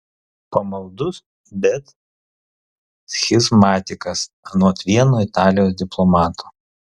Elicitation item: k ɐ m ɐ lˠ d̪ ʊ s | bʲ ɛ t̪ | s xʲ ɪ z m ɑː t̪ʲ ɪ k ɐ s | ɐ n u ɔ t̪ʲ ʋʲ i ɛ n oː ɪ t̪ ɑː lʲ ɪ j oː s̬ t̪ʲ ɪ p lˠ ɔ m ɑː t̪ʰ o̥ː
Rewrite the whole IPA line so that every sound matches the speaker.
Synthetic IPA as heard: p ɐ m ɐ lˠ d̪ ʊ s | bʲ ɛ t̪ | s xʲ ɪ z m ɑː t̪ʲ ɪ k ɐ s | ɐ n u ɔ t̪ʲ ʋʲ i ɛ n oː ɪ t̪ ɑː lʲ ɪ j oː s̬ d̪ʲ ɪ p lˠ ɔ m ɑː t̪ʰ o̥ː